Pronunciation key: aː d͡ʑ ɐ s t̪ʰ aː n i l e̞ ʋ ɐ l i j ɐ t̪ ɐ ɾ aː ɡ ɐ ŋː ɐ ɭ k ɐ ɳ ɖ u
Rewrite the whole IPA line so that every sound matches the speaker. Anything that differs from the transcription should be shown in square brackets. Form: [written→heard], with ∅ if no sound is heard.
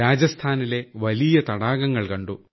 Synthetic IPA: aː d͡ʑ ɐ s t̪ʰ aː n i l e̞ ʋ ɐ l i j ɐ t̪ ɐ [ɾ→ɽ] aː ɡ ɐ ŋː ɐ ɭ k ɐ ɳ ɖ u